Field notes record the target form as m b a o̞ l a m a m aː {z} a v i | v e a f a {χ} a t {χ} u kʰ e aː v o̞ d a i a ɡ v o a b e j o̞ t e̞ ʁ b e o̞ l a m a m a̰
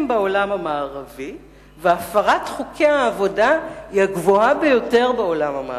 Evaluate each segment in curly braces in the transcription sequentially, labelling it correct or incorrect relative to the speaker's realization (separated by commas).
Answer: incorrect, incorrect, correct